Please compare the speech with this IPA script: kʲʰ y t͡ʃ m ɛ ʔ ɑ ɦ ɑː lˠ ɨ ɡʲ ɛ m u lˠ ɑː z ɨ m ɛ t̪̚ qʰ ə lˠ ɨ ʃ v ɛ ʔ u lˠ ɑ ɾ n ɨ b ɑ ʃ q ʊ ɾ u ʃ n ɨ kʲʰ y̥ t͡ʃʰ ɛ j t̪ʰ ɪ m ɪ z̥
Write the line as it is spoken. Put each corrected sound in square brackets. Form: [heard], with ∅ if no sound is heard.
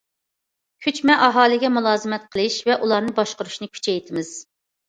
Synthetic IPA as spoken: kʲʰ y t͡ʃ m ɛ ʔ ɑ ɦ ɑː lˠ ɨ ɡʲ ɛ m u lˠ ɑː z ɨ m ɛ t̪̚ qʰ ə lˠ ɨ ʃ v ɛ ʔ u lˠ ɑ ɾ n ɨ b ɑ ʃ q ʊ ɾ u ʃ n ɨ kʲʰ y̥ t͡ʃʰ ɛ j t̪ʰ ɪ m ɪ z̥